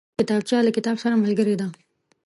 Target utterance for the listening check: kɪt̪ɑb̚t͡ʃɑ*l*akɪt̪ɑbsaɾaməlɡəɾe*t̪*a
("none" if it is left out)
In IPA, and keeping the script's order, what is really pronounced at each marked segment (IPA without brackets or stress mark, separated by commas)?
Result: l, d̪